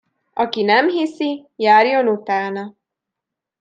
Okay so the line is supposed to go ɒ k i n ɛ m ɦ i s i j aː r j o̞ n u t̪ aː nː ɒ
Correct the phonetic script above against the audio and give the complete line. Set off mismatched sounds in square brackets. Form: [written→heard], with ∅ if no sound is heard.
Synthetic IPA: ɒ k i n ɛ m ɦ i s i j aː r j o̞ n u t̪ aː [nː→n] ɒ